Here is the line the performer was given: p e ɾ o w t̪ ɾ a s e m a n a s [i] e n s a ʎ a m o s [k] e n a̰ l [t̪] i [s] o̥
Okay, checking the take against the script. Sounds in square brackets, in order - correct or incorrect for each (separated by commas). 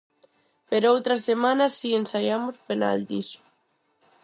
correct, incorrect, incorrect, correct